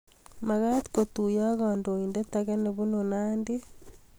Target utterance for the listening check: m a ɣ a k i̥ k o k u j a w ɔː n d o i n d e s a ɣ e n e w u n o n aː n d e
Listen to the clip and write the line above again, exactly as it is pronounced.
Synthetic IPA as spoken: m a ɣ a t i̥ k o t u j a ɣ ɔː n d o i n d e t a ɣ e n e β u n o n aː n d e